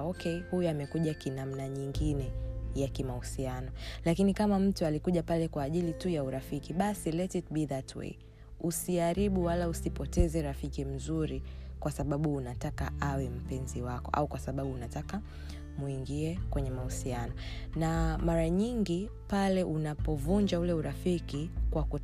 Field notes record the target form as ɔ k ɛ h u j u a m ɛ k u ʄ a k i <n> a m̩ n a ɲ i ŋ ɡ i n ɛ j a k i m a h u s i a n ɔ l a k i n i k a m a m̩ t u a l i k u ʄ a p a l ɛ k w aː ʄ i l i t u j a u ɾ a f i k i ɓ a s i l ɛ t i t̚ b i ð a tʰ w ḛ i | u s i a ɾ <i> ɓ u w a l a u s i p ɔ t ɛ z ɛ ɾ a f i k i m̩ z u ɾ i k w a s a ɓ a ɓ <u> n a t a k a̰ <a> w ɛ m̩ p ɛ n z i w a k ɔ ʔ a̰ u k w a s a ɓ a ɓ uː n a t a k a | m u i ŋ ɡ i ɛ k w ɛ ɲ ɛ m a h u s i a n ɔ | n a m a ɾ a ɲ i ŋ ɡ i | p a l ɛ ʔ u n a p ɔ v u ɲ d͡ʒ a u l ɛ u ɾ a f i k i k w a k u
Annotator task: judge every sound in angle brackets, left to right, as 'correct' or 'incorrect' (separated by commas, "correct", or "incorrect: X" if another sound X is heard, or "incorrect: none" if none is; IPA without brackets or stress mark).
correct, correct, incorrect: uː, correct